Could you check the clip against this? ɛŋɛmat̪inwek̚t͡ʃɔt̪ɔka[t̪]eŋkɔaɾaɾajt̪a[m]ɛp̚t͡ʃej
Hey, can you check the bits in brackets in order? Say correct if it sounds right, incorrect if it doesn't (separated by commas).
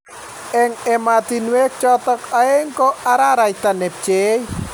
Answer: incorrect, incorrect